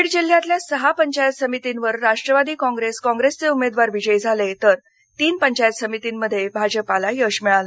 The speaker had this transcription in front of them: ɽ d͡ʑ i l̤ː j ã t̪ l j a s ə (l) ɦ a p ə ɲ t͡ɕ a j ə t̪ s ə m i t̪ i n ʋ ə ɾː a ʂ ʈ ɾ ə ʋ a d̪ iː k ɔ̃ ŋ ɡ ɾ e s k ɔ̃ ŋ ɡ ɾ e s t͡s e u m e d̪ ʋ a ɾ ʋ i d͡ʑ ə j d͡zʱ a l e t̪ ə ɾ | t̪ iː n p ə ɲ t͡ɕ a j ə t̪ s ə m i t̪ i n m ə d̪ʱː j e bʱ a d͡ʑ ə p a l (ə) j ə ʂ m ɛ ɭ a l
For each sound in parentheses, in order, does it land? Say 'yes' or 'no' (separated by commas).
no, no